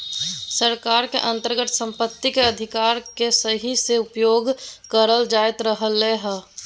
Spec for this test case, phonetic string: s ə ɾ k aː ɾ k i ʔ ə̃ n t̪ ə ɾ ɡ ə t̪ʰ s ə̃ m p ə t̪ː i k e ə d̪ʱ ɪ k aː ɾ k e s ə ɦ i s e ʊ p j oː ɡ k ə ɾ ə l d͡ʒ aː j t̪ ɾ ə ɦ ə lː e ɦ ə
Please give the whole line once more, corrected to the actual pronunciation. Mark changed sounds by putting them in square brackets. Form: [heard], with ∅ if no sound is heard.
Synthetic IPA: s ə ɾ k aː ɾ k [e] ʔ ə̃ n t̪ ə ɾ ɡ ə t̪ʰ s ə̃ m p ə t̪ː i k e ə d̪ʱ ɪ k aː ɾ k e s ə ɦ i s e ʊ p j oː ɡ k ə ɾ ə l d͡ʒ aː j t̪ ɾ ə ɦ ə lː e ɦ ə